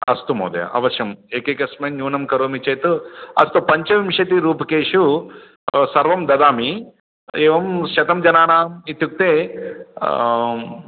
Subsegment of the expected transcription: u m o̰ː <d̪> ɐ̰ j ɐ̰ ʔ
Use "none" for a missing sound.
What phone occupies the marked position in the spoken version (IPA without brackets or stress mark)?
d̪